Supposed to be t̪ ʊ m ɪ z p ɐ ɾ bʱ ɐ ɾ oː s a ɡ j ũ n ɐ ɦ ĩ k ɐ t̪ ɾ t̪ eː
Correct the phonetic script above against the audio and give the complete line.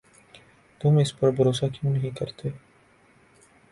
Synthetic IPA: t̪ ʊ m ɪ s p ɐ ɾ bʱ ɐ ɾ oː s a k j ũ n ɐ ɦ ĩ k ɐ ɾ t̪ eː